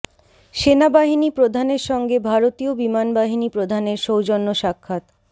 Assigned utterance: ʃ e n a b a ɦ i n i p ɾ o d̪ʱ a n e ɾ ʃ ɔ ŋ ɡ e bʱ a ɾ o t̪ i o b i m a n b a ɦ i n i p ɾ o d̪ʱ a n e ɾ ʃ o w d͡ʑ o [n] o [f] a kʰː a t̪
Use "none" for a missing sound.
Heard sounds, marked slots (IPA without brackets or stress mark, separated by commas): nː, ʃ